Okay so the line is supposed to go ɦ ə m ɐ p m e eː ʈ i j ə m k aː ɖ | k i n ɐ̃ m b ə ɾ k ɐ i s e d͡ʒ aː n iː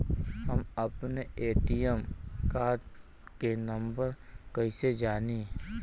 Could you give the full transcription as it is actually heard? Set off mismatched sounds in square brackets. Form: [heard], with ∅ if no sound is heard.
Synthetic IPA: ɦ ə m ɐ p [n] e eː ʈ i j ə m k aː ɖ | k [e] n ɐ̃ m b ə ɾ k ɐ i s e d͡ʒ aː n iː